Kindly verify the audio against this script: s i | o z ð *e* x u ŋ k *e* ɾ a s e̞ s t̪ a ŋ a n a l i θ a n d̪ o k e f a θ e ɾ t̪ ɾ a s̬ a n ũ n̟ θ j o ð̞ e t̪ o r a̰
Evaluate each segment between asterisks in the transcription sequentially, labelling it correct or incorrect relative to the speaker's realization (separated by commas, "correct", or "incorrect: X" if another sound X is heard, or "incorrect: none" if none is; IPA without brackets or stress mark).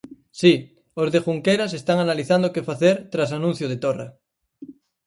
correct, correct